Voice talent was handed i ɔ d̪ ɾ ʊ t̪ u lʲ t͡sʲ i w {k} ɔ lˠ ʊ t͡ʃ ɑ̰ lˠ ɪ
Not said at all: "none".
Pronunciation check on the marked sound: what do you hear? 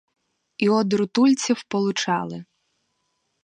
p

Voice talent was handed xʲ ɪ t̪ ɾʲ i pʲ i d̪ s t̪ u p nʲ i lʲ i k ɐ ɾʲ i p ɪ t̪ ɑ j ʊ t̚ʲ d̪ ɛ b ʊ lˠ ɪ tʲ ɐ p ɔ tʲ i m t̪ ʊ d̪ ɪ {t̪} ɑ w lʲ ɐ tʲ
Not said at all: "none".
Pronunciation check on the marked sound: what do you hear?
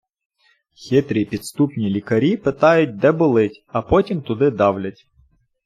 d̪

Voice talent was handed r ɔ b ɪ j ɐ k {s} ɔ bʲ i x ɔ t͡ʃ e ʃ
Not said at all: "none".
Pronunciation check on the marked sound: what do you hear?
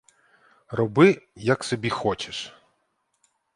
s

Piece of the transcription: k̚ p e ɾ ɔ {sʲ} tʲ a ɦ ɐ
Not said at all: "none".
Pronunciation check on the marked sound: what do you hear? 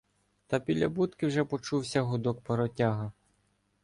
none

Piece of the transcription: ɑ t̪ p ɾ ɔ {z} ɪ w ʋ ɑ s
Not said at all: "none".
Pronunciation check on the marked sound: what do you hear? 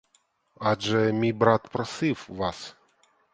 s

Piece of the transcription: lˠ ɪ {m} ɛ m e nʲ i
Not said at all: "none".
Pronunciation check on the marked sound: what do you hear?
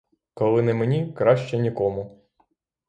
n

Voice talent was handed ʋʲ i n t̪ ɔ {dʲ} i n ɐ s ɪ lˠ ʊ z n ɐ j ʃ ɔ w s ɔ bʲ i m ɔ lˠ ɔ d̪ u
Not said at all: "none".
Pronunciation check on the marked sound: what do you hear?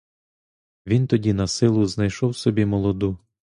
dʲ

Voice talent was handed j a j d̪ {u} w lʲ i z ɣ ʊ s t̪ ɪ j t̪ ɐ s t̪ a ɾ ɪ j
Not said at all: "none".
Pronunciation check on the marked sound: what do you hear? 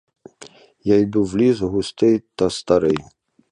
u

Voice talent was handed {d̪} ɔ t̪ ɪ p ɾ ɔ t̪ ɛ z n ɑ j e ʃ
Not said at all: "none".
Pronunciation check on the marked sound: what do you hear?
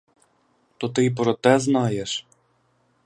t̪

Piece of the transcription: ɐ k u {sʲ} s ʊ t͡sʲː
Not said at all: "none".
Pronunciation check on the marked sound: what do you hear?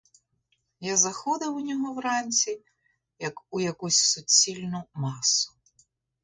sʲ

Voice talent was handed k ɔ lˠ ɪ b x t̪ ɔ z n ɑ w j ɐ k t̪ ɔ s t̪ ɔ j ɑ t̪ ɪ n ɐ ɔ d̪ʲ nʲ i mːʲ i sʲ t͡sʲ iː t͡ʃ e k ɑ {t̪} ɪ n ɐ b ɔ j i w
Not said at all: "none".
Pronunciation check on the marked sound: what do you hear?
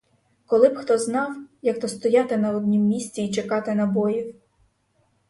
t̪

